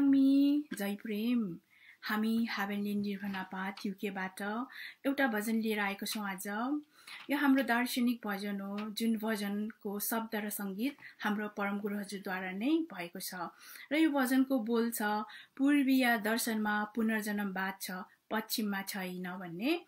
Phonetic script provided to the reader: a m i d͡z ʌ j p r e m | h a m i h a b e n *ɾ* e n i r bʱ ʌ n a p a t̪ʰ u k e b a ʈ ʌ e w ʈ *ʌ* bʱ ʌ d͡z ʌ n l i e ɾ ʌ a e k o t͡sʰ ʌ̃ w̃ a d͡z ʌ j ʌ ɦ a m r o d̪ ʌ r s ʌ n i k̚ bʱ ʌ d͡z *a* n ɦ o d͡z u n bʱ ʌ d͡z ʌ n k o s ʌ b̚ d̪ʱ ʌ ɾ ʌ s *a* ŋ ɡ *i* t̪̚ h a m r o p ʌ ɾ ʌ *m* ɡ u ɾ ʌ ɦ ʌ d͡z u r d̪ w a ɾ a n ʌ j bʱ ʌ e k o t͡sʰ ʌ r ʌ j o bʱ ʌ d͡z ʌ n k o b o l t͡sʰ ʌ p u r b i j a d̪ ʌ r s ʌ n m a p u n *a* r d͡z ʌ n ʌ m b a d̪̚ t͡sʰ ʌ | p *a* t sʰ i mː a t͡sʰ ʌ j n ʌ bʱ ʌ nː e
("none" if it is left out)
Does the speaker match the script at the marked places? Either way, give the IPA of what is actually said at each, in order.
l, a, ʌ, ʌ, i, m, ʌ, ʌ

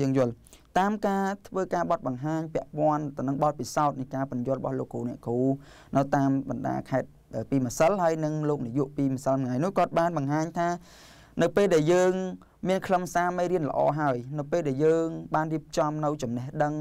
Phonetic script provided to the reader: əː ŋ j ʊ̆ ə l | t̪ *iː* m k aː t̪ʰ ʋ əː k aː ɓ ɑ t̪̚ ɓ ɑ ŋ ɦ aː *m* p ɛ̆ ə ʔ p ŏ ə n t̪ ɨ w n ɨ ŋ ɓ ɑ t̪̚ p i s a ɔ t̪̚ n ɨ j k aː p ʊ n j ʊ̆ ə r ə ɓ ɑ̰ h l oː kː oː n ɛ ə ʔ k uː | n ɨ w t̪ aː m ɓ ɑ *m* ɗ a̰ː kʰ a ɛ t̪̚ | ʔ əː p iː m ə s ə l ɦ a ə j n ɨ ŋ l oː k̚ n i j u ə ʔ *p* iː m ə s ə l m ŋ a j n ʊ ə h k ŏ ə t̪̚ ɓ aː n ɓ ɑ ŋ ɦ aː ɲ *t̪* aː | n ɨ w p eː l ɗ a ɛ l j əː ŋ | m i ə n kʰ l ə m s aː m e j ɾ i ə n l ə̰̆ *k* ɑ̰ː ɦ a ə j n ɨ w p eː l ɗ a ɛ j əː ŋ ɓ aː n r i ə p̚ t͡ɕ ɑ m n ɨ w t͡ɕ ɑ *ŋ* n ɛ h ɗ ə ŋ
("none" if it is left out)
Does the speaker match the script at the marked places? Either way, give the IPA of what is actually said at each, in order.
aː, ɲ, n, p, t̪ʰ, ʔ, m

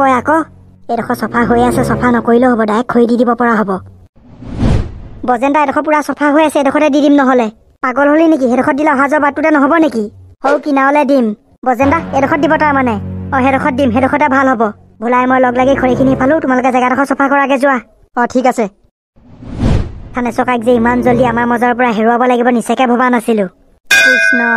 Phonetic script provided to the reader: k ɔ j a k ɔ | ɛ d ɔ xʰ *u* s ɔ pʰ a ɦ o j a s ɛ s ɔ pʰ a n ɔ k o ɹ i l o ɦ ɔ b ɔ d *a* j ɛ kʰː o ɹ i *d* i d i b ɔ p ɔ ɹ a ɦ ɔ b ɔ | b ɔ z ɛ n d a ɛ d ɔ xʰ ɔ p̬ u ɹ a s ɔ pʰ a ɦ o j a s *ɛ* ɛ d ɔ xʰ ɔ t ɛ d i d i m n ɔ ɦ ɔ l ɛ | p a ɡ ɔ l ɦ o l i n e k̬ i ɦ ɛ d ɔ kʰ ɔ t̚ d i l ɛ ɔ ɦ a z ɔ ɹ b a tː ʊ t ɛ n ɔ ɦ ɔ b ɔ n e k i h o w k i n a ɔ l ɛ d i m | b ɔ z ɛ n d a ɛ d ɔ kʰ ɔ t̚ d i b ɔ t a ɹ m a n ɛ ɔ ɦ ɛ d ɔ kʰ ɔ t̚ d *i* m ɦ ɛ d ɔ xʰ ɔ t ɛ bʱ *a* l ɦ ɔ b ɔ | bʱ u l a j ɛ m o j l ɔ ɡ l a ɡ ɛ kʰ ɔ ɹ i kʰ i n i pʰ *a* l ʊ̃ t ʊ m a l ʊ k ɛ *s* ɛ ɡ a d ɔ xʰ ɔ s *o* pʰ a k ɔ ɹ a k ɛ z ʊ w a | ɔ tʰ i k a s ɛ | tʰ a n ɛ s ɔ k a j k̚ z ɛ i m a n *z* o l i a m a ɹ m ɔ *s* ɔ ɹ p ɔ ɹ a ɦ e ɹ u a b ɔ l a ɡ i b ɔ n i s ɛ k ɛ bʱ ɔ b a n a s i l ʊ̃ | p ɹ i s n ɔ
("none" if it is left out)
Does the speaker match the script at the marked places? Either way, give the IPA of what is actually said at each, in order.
ɔ, a, d, ɛ, i, a, a, z, ɔ, z, z

